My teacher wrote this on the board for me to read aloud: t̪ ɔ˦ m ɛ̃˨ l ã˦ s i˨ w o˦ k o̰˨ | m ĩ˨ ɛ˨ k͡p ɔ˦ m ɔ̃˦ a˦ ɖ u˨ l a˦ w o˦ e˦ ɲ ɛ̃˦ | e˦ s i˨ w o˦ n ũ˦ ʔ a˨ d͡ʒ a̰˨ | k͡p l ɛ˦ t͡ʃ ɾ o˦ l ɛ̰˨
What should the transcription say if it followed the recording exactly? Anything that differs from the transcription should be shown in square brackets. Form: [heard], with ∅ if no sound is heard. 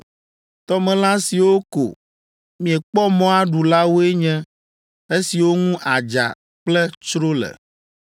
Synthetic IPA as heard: t̪ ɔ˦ m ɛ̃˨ l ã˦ s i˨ w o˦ k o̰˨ | m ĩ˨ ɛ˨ k͡p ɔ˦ m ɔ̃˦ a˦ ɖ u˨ l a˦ w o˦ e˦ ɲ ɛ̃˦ | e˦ s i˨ w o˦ [ŋ] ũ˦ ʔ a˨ d͡ʒ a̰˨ | k͡p l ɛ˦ t͡ʃ ɾ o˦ l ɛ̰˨